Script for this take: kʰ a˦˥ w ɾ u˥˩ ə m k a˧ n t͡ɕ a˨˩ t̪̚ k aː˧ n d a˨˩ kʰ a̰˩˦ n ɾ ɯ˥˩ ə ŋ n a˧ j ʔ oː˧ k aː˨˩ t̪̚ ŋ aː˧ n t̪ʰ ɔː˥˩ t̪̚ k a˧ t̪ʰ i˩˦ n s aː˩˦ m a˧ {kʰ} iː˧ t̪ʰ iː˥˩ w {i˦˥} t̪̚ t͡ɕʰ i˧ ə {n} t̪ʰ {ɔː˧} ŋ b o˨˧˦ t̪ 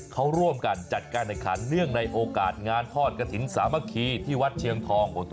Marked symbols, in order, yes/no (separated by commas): yes, no, no, yes